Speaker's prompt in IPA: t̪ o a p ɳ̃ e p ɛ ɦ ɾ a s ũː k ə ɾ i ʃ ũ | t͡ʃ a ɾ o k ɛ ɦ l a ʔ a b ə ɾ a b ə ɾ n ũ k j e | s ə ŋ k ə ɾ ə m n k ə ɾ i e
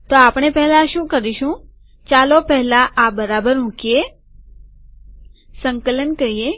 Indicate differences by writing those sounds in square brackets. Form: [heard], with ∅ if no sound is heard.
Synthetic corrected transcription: t̪ o a p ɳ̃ e p ɛ ɦ [l] a [ʃ] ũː k ə ɾ i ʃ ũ | t͡ʃ a [l] o [p] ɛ ɦ l a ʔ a b ə ɾ a b ə ɾ [m] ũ k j e | s ə ŋ k ə [l] ə [∅] n k ə ɾ i e